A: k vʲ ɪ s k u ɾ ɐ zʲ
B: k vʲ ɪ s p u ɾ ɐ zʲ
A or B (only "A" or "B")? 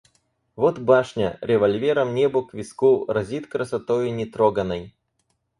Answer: A